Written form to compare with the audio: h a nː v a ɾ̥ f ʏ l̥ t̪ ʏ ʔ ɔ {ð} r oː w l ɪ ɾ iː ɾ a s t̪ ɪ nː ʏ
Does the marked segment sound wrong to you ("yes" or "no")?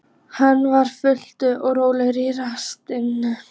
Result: yes